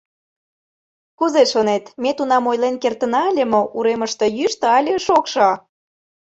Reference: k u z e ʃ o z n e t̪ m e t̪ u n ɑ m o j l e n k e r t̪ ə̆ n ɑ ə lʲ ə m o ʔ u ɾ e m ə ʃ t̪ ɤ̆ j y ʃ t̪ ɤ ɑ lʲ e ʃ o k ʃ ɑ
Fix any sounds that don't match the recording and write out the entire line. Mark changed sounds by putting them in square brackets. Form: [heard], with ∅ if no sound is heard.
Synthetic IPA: k u z e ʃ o [∅] n e t̪ m e t̪ u n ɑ m o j l e n k e r t̪ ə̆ n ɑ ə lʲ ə m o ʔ u ɾ e m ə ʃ t̪ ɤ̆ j y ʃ t̪ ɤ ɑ lʲ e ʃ o k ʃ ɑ